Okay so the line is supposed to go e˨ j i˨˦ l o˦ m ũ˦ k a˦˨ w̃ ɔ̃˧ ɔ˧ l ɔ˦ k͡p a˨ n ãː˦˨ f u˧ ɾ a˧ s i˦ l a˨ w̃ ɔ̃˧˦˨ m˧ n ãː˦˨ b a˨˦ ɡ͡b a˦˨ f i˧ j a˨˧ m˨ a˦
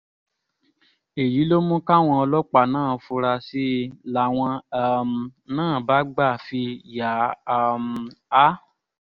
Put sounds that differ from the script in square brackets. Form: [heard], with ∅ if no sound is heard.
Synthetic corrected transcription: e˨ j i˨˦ l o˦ m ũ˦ k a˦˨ w̃ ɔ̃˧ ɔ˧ l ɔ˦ k͡p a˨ n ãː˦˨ f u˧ ɾ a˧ s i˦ l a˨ w̃ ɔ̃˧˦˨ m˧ n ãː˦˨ b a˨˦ ɡ͡b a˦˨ f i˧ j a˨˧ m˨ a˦